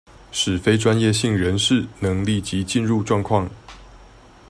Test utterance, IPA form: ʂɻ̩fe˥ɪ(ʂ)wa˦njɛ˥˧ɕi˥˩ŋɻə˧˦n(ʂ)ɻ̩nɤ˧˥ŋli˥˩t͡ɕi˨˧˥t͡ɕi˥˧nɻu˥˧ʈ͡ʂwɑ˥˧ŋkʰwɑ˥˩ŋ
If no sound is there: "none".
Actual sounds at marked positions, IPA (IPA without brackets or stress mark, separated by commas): ʈ͡ʂ, ʂ